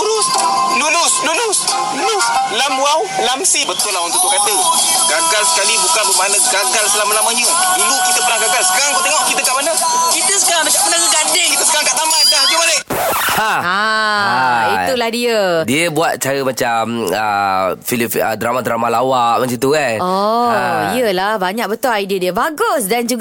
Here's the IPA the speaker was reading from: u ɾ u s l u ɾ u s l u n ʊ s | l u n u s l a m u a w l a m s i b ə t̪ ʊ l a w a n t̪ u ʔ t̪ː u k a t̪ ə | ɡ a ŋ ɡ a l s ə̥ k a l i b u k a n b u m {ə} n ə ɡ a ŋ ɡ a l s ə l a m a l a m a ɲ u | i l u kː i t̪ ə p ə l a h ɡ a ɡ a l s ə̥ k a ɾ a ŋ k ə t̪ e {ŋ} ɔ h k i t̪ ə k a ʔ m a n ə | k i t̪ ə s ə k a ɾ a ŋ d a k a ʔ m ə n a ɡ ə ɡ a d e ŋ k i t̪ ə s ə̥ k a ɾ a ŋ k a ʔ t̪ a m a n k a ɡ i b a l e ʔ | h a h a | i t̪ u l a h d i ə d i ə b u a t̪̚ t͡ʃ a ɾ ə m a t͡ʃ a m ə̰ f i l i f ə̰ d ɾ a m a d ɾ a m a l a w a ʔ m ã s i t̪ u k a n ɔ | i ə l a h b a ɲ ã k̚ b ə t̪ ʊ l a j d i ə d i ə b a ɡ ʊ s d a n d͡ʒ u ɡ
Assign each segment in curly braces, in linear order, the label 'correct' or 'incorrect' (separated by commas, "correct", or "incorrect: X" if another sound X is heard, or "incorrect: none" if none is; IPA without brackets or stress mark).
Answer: incorrect: a, correct